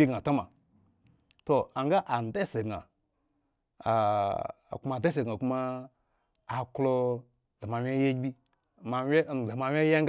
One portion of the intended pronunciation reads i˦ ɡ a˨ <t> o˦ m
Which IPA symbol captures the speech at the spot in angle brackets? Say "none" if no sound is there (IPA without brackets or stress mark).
t